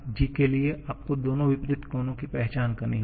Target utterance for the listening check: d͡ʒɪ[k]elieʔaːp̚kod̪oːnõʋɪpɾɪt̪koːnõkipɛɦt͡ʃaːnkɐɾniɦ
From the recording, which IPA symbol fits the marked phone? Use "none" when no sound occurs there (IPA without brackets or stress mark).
k